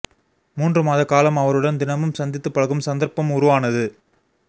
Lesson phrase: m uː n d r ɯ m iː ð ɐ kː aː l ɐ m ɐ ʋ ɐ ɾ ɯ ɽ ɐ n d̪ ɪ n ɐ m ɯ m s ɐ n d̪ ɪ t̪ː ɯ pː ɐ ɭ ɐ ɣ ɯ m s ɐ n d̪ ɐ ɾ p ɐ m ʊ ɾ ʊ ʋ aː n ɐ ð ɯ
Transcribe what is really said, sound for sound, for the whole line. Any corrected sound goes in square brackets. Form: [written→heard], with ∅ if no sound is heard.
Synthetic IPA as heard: m uː n d r ɯ m [iː→aː] ð ɐ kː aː l ɐ m ɐ ʋ ɐ ɾ ɯ ɽ ɐ n d̪ ɪ n ɐ m ɯ m s ɐ n d̪ ɪ t̪ː ɯ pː ɐ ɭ ɐ ɣ ɯ m s ɐ n d̪ ɐ ɾ p ɐ m ʊ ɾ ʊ ʋ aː n ɐ ð ɯ